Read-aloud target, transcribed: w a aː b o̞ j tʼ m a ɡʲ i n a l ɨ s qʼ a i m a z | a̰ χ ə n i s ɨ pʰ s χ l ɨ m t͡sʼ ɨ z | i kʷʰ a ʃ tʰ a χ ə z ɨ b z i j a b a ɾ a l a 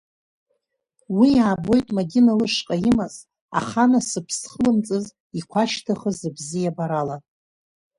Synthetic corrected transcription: w i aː b o̞ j tʼ m a ɡʲ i n a l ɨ ʂ qʼ a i m a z | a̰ χ a n a s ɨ pʰ s χ l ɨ m t͡sʼ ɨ z | i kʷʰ a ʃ tʰ a χ ə z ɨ b z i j a b a ɾ a l a